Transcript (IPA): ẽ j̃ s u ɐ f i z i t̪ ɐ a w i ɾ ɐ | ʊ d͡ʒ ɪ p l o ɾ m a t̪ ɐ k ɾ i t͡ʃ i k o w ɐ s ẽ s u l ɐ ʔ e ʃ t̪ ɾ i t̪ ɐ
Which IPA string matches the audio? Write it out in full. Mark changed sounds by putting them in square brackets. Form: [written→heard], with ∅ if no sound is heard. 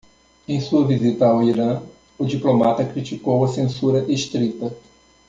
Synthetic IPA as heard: ẽ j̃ s u ɐ [f→v] i z i t̪ ɐ a w i ɾ [ɐ→ɐ̃] | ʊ d͡ʒ [ɪ→i] p l o [ɾ→∅] m a t̪ ɐ k ɾ i t͡ʃ i k o w ɐ s ẽ s u [l→ɾ] ɐ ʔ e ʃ t̪ ɾ i t̪ ɐ